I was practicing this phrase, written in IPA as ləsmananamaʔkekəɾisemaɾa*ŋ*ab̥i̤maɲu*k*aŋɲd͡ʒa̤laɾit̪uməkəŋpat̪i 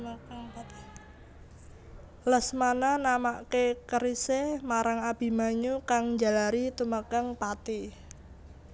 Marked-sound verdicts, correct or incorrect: correct, correct

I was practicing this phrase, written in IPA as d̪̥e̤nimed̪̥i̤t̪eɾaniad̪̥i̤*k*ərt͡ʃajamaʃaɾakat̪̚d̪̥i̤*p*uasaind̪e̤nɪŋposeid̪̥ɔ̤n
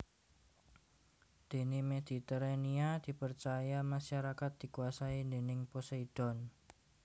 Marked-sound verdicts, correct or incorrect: incorrect: p, incorrect: k

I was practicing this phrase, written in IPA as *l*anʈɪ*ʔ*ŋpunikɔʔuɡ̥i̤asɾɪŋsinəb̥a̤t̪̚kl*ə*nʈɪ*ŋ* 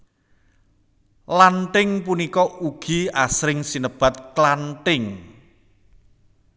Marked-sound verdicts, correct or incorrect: correct, incorrect: none, incorrect: a, correct

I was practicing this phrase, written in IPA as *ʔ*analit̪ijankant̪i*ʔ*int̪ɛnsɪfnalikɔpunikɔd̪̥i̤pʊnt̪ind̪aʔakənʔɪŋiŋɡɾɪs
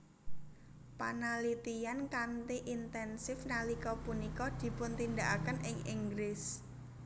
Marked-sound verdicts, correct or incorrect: incorrect: p, correct

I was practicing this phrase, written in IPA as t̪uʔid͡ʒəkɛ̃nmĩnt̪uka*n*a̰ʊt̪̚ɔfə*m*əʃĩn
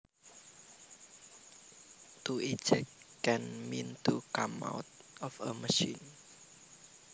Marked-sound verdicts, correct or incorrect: incorrect: m, correct

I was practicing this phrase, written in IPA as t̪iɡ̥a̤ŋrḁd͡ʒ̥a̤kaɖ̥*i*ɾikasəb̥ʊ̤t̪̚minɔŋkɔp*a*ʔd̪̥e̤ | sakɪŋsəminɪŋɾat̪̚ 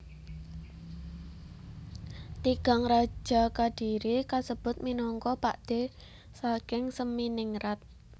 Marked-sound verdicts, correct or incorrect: correct, correct

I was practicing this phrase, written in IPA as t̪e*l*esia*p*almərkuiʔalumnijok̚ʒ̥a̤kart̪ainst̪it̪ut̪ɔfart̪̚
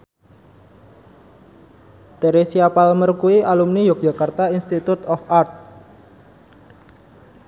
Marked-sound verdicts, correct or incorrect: incorrect: ɾ, correct

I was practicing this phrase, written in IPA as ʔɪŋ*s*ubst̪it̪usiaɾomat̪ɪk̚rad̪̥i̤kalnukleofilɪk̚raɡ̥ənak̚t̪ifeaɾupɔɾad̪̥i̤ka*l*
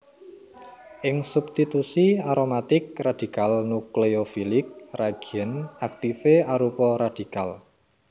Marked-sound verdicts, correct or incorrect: correct, correct

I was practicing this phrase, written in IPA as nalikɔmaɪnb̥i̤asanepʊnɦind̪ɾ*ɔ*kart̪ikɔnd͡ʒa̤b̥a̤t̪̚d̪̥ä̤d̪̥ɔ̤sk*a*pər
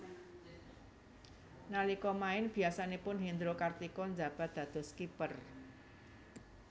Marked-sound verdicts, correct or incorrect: incorrect: o, incorrect: i

